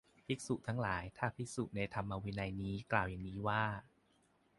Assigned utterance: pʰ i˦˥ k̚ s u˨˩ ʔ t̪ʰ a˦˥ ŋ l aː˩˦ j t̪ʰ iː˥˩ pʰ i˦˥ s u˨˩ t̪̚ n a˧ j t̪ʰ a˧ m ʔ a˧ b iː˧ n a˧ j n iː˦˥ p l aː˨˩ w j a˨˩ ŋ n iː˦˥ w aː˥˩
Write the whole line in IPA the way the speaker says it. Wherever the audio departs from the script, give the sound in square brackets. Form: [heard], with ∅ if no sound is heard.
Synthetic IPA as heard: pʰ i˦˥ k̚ s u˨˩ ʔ t̪ʰ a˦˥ ŋ l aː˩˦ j t̪ʰ [aː˥˩] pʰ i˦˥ s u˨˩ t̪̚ n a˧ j t̪ʰ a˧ m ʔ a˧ [w] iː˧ n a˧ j n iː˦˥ [k] l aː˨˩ w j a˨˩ ŋ n iː˦˥ w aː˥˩